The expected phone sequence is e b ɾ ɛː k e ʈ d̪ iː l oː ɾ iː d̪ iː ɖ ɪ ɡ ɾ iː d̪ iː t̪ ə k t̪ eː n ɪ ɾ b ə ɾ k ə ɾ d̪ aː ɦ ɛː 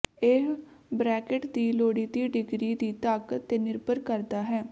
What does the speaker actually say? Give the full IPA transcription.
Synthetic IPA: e b ɾ ɛː k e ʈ d̪ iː l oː ɽ iː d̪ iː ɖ ɪ ɡ ɾ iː d̪ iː t̪ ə k t̪ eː n ɪ ɾ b ə ɾ k ə ɾ d̪ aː ɦ ɛː